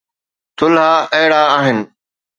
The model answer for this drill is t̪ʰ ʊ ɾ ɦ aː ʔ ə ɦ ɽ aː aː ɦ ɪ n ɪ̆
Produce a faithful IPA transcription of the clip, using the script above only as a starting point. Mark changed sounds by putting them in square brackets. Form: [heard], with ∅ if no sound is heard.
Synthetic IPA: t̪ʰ ʊ [l] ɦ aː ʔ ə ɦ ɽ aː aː ɦ ɪ n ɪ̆